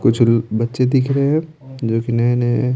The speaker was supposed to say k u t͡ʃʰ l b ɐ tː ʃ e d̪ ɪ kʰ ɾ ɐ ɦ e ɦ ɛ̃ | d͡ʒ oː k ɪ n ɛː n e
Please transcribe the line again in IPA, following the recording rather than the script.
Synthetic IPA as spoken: k ʊ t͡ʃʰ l b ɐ tː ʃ e d̪ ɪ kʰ ɾ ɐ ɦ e ɦ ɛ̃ | d͡ʒ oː k i n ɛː n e

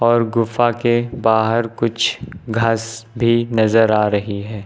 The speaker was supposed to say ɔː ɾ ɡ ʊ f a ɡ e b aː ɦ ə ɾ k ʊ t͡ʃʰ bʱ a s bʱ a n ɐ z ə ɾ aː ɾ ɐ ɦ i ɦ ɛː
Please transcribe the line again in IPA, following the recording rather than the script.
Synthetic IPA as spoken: ɔː ɾ ɡ ʊ f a k e b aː ɦ ə ɾ k ʊ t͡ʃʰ ɡʱ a s bʱ i n ɐ z ə ɾ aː ɾ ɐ ɦ i ɦ ɛː

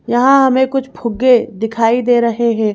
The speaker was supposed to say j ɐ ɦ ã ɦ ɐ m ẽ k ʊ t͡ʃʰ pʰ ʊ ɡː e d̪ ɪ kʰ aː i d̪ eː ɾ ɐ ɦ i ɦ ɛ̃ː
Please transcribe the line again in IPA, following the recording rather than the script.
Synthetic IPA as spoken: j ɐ ɦ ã ɦ ɐ m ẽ k ʊ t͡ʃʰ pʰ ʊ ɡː e d̪ ɪ kʰ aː i d̪ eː ɾ ɐ ɦ e ɦ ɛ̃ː

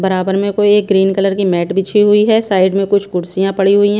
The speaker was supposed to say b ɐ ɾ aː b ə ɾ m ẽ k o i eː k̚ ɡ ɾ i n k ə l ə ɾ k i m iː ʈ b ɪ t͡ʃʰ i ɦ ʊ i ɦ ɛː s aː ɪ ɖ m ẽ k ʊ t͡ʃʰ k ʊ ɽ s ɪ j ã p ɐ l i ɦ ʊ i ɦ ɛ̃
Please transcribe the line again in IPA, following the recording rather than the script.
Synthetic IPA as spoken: b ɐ ɾ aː b ə ɾ m ẽ k o i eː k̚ ɡ ɾ iː n k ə l ə ɾ k i m ɛː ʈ b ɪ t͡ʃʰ i ɦ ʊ i ɦ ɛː s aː ɪ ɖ m ẽ k ʊ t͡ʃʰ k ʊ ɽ s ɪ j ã p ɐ ɽ i ɦ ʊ i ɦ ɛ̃

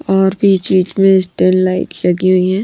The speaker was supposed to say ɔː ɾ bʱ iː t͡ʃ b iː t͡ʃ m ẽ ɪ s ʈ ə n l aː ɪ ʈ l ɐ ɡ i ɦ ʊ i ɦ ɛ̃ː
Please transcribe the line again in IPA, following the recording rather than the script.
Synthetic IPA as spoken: ɔː ɾ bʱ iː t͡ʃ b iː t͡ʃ m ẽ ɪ s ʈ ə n l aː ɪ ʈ l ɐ ɡ i ɦ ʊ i ɦ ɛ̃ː

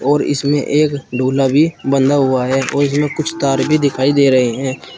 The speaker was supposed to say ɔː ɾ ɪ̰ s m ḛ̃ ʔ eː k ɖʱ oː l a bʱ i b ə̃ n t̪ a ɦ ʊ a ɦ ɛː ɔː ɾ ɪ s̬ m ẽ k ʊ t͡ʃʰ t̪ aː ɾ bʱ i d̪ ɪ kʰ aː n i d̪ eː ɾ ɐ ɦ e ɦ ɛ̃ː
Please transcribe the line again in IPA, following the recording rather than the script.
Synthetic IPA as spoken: ɔː ɾ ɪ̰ s m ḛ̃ ʔ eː k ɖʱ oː l a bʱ i b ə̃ n d̪ a ɦ ʊ a ɦ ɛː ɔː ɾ ɪ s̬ m ẽ k ʊ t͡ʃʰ t̪ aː ɾ bʱ i d̪ ɪ kʰ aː i d̪ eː ɾ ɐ ɦ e ɦ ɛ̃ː

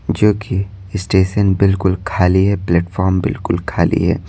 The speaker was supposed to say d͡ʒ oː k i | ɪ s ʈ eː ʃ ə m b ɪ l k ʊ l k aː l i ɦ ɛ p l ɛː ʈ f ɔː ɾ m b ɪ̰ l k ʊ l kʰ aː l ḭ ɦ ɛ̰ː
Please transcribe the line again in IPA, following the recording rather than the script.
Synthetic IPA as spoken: d͡ʒ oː k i | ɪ s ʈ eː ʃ ə n b ɪ l k ʊ l kʰ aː l i ɦ ɛ p l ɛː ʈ f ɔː ɾ m b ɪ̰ l k ʊ l kʰ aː l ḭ ɦ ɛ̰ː

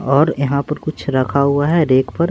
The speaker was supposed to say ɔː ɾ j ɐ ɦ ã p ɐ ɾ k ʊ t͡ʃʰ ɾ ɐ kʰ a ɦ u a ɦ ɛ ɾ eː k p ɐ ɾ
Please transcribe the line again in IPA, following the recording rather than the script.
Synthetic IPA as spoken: ɔː ɾ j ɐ ɦ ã p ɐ ɾ k ʊ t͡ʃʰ ɾ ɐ kʰ a ɦ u a ɦ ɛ ɾ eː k p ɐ ɾ

